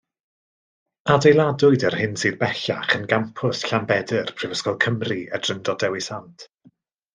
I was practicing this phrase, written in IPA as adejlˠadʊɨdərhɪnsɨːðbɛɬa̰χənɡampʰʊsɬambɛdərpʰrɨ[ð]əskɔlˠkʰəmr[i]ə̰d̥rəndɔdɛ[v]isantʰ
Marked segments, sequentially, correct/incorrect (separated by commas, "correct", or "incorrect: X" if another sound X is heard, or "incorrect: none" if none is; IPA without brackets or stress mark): incorrect: v, correct, incorrect: w